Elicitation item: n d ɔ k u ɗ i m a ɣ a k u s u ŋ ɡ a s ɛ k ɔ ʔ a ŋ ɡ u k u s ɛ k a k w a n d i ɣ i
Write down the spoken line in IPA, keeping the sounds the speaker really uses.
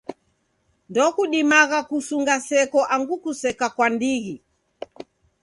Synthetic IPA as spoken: n d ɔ k u ɗ i m a ɣ a k u s u ŋ ɡ a s ɛ k ɔ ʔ a ŋ ɡ u k u s ɛ k a k w a n d i ɣ i